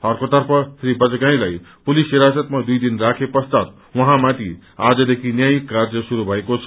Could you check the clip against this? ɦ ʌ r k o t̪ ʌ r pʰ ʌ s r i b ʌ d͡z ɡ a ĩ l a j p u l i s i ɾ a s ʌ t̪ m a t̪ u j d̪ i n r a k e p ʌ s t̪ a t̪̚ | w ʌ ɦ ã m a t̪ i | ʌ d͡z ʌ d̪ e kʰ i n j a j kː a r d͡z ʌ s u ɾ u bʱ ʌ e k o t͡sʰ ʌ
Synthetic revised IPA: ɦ ʌ r k o t̪ ʌ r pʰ ʌ s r i b ʌ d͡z ɡ a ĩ l a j p u l i s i ɾ a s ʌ t̪ m a d̪ u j d̪ i n r a kʰ e p ʌ s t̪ a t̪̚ | w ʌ ɦ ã m a t̪ i | a d͡z ʌ d̪ e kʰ i n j a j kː a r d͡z ʌ s u ɾ u bʱ ʌ e k o t͡sʰ ʌ

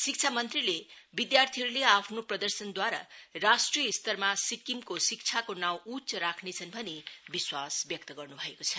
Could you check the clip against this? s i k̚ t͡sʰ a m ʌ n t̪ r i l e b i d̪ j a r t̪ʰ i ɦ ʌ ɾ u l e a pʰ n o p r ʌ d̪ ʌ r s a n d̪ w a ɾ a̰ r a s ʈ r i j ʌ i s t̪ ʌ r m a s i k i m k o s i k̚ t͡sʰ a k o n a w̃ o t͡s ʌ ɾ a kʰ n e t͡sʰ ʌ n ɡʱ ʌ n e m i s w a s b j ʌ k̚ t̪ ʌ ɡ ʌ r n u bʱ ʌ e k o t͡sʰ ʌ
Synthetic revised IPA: s i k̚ t͡sʰ a m ʌ n t̪ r i l e b i d̪ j a r t̪ʰ i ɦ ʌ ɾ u l e a pʰ n o p r ʌ d̪ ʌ r s ʌ n d̪ w a ɾ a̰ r a s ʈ r i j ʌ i s t̪ ʌ r m a s i k i m k o s i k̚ t͡sʰ a k o n a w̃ u t͡s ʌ ɾ a kʰ n e t͡sʰ ʌ n bʱ ʌ n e b i s w a s b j ʌ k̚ t̪ ʌ ɡ ʌ r n u bʱ ʌ e k o t͡sʰ ʌ

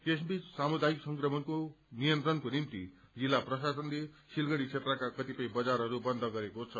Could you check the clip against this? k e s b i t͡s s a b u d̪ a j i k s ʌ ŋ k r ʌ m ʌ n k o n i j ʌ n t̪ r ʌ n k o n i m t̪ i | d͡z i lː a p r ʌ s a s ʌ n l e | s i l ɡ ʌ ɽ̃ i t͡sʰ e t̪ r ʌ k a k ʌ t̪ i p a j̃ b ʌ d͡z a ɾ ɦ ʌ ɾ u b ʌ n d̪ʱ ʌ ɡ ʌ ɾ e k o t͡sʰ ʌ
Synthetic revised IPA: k e s b i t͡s s a m u d̪ a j i k s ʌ ŋ k r ʌ m ʌ n k o n i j ʌ n t̪ r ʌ n k o n i m t̪ i | d͡z i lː a p r ʌ s a s ʌ n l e | s i l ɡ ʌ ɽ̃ i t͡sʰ e t̪ r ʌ k a k ʌ t̪ i p ʌ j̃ b ʌ d͡z a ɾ ɦ ʌ ɾ u b ʌ n d̪ʱ ʌ ɡ ʌ ɾ e k o t͡sʰ ʌ

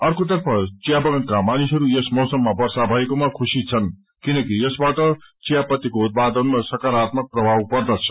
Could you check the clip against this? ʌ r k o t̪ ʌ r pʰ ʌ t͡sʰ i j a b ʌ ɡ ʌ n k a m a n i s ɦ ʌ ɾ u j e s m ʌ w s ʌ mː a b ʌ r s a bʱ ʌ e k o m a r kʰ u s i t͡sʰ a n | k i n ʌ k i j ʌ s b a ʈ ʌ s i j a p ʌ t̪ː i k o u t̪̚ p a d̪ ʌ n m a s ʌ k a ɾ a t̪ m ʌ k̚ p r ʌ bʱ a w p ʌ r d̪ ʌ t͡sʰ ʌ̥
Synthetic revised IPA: ʌ r k o t̪ ʌ r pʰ ʌ t͡s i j a b ʌ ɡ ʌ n k a m a n i s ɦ ʌ ɾ u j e s m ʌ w s ʌ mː a b ʌ r s a bʱ ʌ e k o m a kʰ u s i t͡sʰ ʌ n | k i n ʌ k i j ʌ s b a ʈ ʌ t͡s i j a p ʌ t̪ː i k o u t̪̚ p a d̪ ʌ n m a s ʌ k a ɾ a t̪ m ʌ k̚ p r ʌ bʱ a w p ʌ r d̪ ʌ t͡sʰ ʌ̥

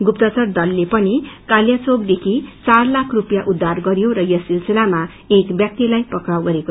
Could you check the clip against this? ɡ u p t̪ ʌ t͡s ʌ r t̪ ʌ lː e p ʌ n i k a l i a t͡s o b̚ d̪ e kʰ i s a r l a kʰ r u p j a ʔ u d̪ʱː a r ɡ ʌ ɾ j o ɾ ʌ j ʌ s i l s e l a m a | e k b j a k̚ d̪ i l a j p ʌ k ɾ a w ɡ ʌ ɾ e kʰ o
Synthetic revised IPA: ɡ u p t̪ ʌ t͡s ʌ r d̪ ʌ lː e p ʌ n i k a l j a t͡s o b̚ d̪ e kʰ i t͡s a r l a kʰ r u p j a ʔ u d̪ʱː a r ɡ ʌ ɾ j o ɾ ʌ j ʌ s i l s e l a m a | e k b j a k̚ t̪ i l a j p ʌ k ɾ a w ɡ ʌ ɾ e k o

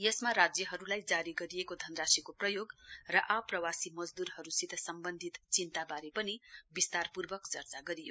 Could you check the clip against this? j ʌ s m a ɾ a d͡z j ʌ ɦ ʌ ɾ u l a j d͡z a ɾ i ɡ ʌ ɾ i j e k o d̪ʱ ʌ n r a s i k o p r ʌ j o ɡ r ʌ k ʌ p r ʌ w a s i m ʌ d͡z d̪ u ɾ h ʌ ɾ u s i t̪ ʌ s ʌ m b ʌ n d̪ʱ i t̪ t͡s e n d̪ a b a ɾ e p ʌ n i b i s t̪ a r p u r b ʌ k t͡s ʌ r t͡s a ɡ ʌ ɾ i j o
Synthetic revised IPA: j ʌ s m a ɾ a d͡z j ʌ ɦ ʌ ɾ u l a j d͡z a ɾ i ɡ ʌ ɾ i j e k o d̪ʱ ʌ n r a s i k o p r ʌ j o ɡ r ʌ ʔ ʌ p r ʌ w a s i m ʌ d͡z d̪ u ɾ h ʌ ɾ u s i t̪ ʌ s ʌ m b ʌ n d̪ʱ i t̪ t͡s i n t̪ a b a ɾ e p ʌ n i b i s t̪ a r p u r b ʌ k t͡s ʌ r t͡s a ɡ ʌ ɾ i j o

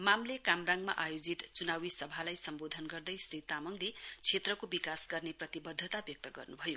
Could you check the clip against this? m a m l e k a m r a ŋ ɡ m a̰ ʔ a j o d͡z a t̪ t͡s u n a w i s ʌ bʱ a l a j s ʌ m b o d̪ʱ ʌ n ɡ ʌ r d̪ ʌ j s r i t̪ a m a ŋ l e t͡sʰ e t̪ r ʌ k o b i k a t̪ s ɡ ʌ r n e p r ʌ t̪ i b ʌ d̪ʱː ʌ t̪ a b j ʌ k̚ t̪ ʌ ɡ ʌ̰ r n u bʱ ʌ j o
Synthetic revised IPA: m a m l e k a m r a ŋ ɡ m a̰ ʔ a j o d͡z i t̪ t͡s u n a w i s ʌ bʱ a l a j s ʌ m b o d̪ʱ ʌ n ɡ ʌ r d̪ ʌ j s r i t̪ a m ʌ ŋ l e t͡sʰ e t̪ r ʌ k o b i k a s ɡ ʌ r n e p r ʌ t̪ i b ʌ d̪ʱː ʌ t̪ a b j ʌ k̚ t̪ ʌ ɡ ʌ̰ r n u bʱ ʌ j o

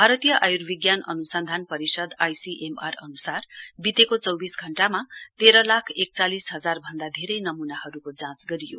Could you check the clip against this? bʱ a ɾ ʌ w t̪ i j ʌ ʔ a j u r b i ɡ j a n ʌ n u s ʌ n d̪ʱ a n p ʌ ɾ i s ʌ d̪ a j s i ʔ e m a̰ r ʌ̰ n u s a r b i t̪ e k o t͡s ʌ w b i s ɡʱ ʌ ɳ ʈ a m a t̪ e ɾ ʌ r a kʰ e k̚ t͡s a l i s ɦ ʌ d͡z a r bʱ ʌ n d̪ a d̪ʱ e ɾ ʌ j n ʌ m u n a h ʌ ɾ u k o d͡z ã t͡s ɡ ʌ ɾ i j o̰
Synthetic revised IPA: bʱ a ɾ ʌ t̪ i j ʌ ʔ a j u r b i ɡ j a n ʌ n u s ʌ n d̪ʱ a n p ʌ ɾ i s ʌ d̪ a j s i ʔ e m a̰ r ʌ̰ n u s a r b i t̪ e k o t͡s ʌ w b i s ɡʱ ʌ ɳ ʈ a m a t̪ e ɾ ʌ l a kʰ e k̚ t͡s a l i s ɦ ʌ d͡z a r bʱ ʌ n d̪ a d̪ʱ e ɾ ʌ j n ʌ m u n a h ʌ ɾ u k o d͡z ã t͡s ɡ ʌ ɾ i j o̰

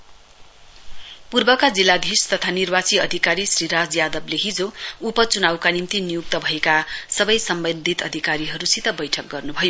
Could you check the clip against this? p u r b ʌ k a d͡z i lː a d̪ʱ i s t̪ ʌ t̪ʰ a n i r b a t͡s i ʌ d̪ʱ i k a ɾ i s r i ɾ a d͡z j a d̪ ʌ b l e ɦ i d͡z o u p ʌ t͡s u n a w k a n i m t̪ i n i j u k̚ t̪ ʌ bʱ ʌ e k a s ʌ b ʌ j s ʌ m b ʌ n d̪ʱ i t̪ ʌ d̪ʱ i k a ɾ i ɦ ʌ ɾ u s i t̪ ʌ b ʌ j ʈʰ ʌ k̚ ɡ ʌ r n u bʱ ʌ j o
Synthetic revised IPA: p u r b ʌ k a d͡z i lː a d̪ʱ i s t̪ ʌ t̪ʰ a n i r b a t͡s i ʌ d̪ʱ i k a ɾ i s r i ɾ a d͡z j a d̪ ʌ b l e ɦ i d͡z o u p ʌ t͡s u n a w k a n i m t̪ i n i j u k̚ t̪ ʌ bʱ ʌ e k a s ʌ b ʌ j s ʌ m b ʌ n d̪ʱ i t̪ ʌ d̪ʱ i k a ɾ i ɦ ʌ ɾ u s i t̪ ʌ b ʌ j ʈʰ ʌ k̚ ɡ ʌ r n u bʱ ʌ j o

